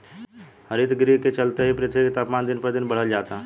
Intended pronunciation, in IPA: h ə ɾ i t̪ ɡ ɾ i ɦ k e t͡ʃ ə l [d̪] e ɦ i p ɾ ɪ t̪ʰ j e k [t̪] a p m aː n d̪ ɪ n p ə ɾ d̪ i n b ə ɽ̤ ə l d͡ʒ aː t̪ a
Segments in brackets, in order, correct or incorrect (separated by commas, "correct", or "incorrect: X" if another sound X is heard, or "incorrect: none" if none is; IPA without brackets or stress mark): incorrect: t̪, correct